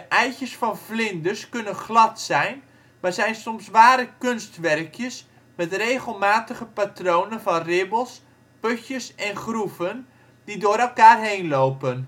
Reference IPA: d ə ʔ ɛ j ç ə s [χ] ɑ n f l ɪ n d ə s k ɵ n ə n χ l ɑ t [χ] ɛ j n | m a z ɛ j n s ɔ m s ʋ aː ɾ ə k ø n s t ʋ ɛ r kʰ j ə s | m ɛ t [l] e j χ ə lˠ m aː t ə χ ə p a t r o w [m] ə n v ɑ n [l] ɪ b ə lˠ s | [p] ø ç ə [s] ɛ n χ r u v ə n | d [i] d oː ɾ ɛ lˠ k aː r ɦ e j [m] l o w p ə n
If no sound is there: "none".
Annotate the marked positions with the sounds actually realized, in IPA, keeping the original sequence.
f, s, r, n, r, p, s, i, n

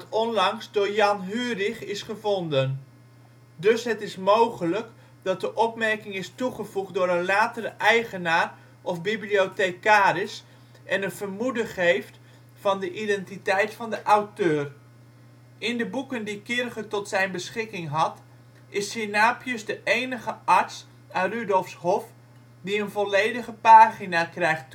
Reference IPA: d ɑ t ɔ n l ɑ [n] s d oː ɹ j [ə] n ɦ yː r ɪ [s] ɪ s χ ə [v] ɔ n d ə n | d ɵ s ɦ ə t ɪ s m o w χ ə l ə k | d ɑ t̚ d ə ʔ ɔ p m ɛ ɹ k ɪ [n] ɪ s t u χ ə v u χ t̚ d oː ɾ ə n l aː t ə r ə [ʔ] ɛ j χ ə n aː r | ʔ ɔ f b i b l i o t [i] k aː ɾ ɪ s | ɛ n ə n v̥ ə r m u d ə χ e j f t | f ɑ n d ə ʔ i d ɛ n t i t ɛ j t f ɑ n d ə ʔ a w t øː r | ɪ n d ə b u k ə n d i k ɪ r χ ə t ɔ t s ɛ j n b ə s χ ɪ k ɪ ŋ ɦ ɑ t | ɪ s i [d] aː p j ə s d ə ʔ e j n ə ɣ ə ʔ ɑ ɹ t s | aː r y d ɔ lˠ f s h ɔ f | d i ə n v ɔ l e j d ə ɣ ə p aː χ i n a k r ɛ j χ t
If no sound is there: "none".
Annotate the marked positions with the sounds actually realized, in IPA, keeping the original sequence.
ŋ, ɑ, χ, v, ŋ, ʔ, e, n

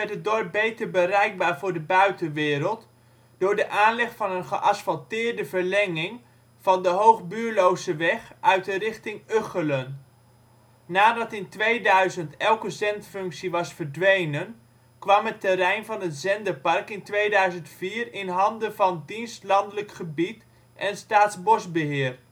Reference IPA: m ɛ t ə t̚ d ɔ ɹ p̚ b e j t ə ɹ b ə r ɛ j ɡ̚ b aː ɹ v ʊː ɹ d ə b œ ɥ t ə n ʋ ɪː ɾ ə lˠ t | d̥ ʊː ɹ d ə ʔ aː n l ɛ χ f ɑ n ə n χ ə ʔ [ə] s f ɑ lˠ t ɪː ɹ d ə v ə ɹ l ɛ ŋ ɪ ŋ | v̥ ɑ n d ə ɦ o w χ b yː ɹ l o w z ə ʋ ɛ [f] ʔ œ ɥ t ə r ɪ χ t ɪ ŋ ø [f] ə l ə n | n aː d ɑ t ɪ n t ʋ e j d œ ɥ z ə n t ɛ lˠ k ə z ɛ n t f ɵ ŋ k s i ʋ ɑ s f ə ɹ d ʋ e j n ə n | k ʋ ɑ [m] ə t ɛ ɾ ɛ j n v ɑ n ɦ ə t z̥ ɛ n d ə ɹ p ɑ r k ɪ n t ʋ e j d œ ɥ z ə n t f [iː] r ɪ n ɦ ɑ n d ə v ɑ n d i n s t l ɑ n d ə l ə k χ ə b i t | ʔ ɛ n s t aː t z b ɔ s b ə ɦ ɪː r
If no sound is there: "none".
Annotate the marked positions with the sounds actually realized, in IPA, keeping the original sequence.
ɑ, χ, χ, m, iː

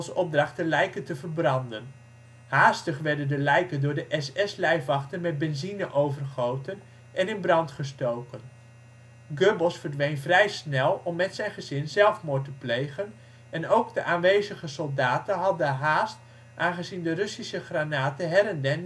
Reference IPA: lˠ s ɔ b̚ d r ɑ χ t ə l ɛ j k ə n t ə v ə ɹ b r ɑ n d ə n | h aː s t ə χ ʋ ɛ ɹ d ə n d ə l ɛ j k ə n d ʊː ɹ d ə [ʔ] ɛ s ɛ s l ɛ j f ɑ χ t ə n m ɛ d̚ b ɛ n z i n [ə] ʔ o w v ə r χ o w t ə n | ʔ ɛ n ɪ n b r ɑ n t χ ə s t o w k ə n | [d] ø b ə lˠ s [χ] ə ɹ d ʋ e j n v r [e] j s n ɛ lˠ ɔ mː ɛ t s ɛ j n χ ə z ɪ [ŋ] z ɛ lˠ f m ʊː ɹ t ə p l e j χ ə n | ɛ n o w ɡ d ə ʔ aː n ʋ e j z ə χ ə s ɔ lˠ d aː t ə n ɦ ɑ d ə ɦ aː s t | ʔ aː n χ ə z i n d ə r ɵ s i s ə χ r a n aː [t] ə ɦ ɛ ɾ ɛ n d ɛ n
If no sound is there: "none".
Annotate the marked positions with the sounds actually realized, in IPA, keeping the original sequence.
ʔ, ə, ɡ, f, ɛ, n, t

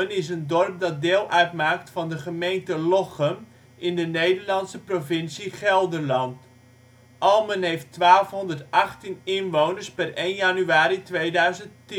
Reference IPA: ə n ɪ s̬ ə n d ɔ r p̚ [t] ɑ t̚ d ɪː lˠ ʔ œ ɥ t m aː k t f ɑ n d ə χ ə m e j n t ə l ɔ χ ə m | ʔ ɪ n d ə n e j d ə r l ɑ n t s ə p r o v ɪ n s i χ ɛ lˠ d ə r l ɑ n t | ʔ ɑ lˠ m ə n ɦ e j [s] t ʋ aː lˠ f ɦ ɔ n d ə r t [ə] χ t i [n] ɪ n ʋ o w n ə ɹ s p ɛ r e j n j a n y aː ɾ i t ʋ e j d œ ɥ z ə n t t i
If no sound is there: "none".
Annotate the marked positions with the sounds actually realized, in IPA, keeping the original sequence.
d, f, ɑ, n

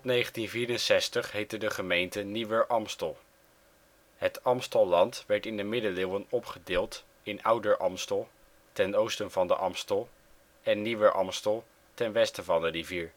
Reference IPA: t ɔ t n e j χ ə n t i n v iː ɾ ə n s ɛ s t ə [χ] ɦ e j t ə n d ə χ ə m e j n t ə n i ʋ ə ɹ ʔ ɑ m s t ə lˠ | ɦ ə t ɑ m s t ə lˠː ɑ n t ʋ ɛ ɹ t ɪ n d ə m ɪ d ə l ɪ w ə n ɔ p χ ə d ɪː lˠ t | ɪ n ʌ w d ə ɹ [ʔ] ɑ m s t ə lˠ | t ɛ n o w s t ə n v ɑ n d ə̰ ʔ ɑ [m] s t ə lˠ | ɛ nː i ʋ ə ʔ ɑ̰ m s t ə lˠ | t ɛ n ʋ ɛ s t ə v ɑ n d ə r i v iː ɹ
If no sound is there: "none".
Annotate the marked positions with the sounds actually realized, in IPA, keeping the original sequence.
χ, ʔ, m

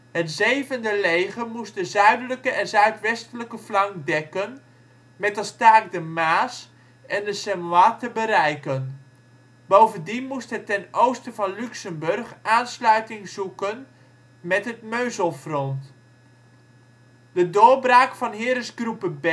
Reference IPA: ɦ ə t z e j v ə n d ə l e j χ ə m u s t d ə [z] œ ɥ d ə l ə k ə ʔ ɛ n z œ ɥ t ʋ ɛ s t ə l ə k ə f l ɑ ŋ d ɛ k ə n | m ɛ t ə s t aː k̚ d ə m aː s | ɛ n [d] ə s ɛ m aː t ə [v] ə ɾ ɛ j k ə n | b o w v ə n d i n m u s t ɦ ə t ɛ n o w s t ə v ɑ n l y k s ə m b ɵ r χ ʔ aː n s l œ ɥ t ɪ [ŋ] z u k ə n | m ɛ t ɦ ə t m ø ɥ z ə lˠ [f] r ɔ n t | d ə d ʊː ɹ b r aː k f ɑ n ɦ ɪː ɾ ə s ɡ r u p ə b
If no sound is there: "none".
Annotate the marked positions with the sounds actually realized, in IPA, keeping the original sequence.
z, d, b, ŋ, f

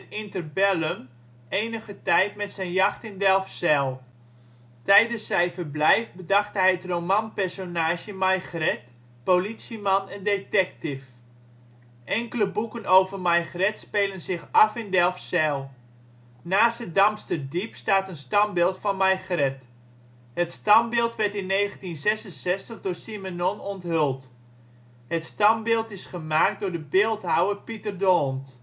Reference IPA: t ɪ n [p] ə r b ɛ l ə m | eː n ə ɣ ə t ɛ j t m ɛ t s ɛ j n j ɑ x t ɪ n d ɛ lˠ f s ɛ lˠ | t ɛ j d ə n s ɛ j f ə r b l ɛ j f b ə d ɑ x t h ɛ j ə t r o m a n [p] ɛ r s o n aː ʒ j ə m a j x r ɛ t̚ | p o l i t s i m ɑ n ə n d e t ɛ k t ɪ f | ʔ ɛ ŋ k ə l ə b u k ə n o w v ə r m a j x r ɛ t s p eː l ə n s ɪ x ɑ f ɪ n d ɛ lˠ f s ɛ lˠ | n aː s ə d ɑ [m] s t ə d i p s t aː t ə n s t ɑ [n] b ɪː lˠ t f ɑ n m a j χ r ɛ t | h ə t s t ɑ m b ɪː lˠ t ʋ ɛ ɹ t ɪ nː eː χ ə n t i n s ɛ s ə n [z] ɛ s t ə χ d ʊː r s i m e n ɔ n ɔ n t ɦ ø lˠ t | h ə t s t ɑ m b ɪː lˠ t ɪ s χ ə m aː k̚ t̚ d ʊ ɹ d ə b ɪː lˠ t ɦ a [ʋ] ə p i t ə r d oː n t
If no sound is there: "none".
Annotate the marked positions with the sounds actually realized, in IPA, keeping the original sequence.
t, p, m, m, s, w

